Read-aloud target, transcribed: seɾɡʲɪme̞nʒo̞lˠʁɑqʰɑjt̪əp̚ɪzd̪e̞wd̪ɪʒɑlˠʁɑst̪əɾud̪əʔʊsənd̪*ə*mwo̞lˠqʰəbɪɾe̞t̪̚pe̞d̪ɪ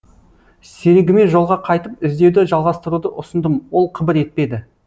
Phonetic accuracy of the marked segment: correct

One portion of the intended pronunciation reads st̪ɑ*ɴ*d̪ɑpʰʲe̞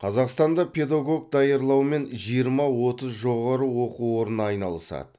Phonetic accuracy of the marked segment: incorrect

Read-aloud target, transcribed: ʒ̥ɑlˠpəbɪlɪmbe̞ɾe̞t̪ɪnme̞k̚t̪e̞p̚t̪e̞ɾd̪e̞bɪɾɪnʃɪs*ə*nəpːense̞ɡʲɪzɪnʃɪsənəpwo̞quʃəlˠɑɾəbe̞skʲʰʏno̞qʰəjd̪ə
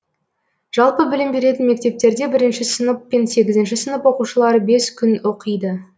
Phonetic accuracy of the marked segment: correct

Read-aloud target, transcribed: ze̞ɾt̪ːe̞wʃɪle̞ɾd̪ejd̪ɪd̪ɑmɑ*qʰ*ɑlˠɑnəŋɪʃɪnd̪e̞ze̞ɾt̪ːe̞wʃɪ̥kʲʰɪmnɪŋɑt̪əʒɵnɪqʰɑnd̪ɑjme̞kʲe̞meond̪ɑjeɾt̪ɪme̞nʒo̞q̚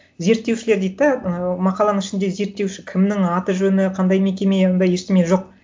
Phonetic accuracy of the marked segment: incorrect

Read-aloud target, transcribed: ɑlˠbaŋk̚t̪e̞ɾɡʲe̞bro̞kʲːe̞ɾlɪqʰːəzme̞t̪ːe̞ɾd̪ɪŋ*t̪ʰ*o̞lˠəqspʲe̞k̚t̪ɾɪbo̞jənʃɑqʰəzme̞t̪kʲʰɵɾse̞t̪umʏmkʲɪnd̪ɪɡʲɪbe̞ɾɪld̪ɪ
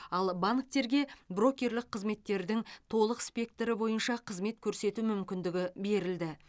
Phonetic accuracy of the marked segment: correct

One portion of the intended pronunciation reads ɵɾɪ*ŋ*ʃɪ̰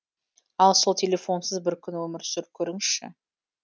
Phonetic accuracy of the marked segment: correct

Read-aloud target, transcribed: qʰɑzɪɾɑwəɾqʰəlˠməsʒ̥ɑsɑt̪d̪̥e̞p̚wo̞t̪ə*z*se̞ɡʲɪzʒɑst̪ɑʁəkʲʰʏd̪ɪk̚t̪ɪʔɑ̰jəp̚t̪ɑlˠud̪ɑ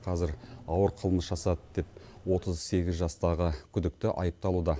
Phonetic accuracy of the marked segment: correct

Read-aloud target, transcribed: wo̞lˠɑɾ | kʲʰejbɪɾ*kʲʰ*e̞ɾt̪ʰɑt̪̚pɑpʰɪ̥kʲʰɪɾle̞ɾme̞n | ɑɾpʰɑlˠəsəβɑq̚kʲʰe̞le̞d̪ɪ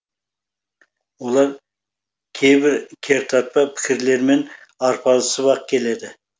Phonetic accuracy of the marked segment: correct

